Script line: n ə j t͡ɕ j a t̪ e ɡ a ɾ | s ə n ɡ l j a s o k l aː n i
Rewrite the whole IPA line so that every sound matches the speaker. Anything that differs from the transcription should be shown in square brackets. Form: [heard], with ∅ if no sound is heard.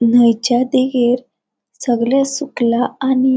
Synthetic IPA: n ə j t͡ɕ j a [d̪] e ɡ [e] ɾ | s ə [∅] ɡ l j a s [u] k l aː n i